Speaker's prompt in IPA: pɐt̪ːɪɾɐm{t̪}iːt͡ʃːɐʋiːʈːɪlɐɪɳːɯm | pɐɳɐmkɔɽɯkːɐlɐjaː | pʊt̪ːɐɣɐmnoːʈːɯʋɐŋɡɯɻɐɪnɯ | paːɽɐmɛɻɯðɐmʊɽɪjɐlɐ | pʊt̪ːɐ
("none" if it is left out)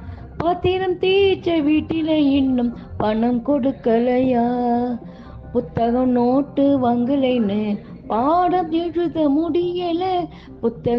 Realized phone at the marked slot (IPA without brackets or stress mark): t̪